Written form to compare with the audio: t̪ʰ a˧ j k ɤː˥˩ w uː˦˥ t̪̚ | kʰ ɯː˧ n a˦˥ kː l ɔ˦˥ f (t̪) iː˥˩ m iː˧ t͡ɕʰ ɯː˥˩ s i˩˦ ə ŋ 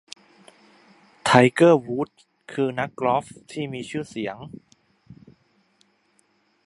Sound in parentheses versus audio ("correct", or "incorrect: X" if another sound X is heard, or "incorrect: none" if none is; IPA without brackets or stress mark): incorrect: t̪ʰ